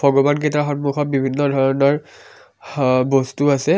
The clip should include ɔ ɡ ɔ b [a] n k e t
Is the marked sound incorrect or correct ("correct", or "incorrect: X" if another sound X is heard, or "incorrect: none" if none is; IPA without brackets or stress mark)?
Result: correct